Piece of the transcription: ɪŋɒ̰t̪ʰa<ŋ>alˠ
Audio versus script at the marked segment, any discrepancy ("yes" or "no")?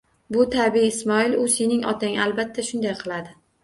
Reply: no